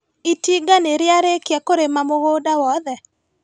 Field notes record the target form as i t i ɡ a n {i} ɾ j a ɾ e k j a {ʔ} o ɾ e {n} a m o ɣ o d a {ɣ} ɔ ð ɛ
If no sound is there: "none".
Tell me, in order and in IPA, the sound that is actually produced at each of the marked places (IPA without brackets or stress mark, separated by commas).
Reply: e, k, m, w